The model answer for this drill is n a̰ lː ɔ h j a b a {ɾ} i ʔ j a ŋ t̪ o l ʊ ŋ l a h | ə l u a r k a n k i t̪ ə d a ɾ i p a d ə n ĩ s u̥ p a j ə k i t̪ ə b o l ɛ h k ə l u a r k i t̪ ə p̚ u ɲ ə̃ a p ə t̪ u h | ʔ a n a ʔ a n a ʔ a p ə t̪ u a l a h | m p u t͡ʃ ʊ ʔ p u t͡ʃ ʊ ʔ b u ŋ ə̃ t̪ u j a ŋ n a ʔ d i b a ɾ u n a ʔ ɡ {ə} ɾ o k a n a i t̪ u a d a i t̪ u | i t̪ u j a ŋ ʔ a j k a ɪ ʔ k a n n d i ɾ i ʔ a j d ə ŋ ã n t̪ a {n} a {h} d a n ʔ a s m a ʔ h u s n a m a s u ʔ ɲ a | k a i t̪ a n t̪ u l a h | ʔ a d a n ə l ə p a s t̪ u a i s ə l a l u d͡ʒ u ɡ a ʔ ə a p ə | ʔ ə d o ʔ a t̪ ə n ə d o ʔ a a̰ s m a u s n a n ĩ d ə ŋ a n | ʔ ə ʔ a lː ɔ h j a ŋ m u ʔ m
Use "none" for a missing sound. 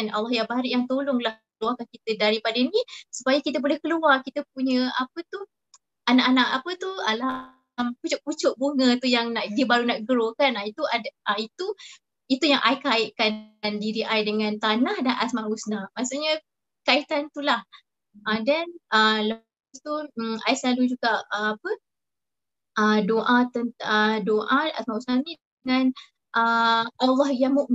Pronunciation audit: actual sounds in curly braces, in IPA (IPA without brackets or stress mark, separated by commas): ɾ, ə, n, h